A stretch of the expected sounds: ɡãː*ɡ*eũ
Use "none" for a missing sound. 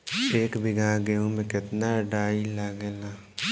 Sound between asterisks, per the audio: ɡ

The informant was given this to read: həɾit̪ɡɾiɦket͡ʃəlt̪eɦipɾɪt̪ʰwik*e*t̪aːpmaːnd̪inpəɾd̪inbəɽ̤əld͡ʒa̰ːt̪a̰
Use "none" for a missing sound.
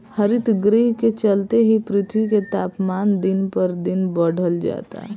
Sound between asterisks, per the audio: e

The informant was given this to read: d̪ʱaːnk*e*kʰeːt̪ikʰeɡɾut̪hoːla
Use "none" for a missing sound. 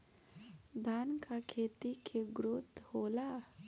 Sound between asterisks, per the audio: a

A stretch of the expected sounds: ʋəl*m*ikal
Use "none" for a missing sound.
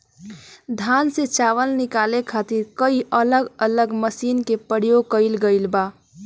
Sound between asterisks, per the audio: n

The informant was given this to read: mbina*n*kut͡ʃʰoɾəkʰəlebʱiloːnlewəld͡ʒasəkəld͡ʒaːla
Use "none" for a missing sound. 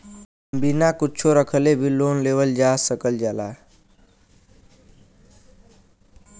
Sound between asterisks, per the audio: none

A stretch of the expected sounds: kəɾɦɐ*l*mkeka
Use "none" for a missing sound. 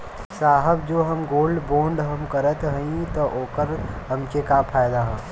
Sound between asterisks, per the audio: none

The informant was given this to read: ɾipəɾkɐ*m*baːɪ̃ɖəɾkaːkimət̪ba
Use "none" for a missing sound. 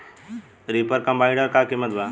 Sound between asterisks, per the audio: m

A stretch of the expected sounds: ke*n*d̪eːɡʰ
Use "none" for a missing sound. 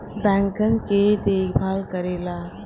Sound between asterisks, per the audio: none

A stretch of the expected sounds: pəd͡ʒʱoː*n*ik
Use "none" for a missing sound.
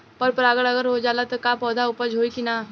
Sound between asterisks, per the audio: none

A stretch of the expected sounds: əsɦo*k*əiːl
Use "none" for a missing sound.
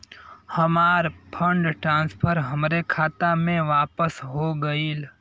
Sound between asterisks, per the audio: ɡ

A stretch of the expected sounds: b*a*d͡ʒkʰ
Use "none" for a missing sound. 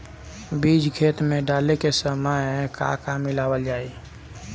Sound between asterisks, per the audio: i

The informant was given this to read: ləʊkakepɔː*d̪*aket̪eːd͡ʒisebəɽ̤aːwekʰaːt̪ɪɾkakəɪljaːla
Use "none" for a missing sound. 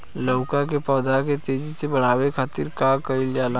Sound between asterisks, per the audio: d̪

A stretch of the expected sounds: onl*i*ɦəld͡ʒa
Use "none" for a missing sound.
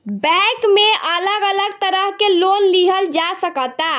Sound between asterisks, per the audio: i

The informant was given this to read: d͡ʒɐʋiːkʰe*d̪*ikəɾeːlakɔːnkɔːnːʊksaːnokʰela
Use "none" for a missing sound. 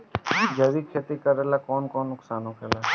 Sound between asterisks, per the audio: t̪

